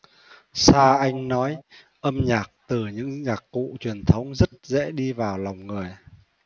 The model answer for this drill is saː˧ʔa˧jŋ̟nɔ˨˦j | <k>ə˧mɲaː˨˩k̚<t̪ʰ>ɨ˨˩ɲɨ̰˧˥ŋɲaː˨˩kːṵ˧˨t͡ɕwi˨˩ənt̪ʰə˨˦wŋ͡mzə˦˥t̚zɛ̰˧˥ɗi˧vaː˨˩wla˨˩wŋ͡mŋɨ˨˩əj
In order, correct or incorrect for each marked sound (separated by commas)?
incorrect, incorrect